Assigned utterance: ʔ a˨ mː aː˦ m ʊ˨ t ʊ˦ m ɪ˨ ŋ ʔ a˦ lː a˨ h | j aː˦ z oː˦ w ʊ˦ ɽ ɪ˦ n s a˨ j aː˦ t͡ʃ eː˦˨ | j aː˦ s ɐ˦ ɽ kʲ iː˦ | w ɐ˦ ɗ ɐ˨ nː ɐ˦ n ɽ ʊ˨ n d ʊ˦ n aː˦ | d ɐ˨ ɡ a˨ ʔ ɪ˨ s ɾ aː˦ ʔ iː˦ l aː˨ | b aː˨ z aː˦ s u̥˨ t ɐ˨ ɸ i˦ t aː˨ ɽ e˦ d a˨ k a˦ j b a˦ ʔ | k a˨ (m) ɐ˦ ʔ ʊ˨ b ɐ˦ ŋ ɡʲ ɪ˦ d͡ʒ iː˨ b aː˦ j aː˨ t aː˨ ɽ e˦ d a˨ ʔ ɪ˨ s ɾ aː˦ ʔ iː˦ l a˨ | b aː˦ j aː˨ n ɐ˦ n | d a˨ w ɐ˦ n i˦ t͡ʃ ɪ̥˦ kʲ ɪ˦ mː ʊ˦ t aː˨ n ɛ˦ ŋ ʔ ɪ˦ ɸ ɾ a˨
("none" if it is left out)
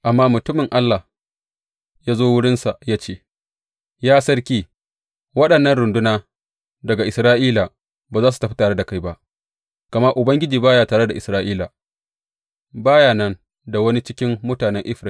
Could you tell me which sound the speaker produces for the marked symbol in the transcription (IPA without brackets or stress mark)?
m